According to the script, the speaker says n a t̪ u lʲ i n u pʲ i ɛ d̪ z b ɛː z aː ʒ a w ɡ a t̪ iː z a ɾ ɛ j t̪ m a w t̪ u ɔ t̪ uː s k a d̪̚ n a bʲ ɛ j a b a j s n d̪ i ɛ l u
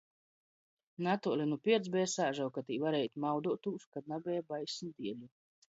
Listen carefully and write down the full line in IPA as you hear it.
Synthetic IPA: n a t̪ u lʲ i n u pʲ i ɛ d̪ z b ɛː s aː ʒ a w k a t̪ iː v a ɾ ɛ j t̪ m a w d̪ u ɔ t̪ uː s k a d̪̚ n a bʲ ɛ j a b a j s n d̪ i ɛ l u